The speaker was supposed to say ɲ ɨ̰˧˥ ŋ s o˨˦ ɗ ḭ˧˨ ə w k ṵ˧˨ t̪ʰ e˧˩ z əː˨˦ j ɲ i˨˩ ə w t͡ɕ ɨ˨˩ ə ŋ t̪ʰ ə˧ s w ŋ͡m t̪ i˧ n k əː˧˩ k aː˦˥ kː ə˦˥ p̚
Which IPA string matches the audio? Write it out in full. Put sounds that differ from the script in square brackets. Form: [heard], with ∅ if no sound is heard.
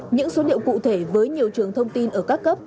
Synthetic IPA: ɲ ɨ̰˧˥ ŋ s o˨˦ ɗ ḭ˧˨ ə w k ṵ˧˨ t̪ʰ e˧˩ [v] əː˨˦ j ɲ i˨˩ ə w t͡ɕ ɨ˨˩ ə ŋ t̪ʰ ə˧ [∅] w ŋ͡m t̪ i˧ n [ʔ] əː˧˩ k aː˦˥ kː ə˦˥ p̚